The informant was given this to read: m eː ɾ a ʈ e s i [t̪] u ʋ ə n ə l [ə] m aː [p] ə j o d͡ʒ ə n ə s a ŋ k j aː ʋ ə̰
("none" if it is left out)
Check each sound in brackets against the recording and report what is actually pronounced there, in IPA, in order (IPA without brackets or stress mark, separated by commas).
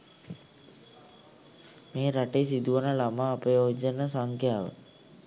d̪, a, p